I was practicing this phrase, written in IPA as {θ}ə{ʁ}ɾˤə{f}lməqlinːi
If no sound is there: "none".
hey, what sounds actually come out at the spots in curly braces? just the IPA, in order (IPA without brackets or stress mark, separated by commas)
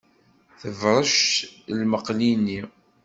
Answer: θ, v, ʃ